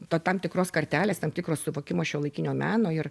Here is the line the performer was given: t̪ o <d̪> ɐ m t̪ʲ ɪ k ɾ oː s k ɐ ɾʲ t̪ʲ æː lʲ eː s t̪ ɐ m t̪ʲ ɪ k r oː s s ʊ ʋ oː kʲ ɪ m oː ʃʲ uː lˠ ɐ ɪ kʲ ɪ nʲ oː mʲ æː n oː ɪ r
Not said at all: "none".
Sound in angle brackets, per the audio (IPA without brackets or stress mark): t̪